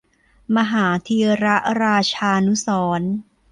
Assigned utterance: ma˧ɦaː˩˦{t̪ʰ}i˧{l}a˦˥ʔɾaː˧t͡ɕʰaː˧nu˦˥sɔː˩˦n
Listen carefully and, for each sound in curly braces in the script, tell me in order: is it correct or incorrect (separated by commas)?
correct, incorrect